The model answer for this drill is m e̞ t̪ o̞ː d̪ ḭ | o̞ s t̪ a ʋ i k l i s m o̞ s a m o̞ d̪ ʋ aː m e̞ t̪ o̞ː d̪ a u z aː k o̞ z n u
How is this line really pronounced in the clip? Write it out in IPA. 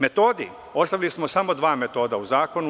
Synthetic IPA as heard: m e̞ t̪ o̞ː d̪ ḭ | o̞ s t̪ a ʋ i l i s m o̞ s a m o̞ d̪ ʋ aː m e̞ t̪ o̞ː d̪ a u z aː k o̞ n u